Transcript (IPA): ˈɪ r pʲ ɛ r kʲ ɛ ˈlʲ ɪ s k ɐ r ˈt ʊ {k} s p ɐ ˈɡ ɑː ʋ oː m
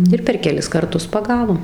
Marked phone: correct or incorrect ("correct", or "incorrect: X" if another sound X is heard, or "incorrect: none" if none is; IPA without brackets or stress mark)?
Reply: incorrect: none